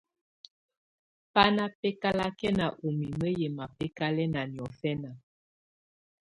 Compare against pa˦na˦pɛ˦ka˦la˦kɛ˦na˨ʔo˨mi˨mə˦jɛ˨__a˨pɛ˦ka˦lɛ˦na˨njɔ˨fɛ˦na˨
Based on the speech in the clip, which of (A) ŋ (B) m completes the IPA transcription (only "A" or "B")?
B